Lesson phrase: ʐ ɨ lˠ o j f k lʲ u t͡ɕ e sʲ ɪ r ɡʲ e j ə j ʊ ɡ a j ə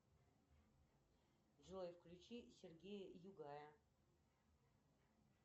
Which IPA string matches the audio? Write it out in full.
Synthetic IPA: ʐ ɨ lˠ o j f k lʲ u t͡ɕ i sʲ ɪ r ɡʲ e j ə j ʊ ɡ a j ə